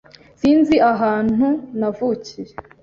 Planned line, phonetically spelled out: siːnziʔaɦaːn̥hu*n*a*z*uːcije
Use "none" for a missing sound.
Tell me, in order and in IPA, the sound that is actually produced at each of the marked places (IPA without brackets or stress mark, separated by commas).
n, v